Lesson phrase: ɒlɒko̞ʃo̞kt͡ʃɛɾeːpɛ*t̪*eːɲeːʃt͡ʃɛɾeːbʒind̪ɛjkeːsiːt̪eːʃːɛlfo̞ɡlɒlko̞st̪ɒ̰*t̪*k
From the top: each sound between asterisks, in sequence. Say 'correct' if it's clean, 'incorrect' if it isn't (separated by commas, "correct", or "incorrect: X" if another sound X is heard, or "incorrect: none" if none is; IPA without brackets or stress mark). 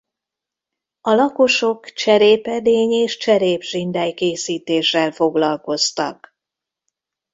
incorrect: d̪, incorrect: none